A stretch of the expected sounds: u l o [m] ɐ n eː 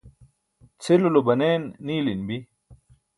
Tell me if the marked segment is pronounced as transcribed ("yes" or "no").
no